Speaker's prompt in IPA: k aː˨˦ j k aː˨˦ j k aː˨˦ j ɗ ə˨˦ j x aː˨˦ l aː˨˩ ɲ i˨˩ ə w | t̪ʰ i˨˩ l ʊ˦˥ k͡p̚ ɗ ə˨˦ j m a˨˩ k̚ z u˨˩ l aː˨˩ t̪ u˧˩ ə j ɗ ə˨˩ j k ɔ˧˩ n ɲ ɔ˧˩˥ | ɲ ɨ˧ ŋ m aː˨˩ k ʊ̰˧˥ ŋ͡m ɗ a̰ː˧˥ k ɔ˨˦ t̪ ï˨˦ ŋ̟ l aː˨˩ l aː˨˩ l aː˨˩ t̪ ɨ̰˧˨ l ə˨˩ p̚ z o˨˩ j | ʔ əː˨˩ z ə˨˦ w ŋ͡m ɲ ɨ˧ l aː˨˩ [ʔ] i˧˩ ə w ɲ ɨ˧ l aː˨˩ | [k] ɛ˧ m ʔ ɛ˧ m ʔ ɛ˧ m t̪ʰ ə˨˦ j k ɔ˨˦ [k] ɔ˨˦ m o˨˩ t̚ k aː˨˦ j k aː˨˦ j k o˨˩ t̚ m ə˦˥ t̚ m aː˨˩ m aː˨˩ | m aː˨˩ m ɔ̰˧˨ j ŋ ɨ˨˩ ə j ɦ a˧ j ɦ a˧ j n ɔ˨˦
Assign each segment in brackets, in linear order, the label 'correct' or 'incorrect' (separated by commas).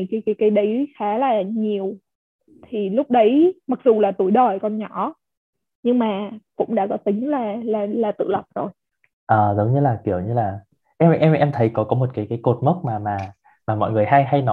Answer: incorrect, incorrect, correct